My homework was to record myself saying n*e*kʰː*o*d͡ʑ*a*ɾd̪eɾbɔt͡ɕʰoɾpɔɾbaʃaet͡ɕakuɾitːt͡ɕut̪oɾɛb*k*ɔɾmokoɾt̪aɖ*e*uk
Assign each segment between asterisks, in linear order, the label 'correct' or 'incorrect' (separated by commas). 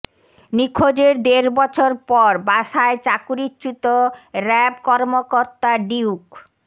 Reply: incorrect, correct, incorrect, correct, incorrect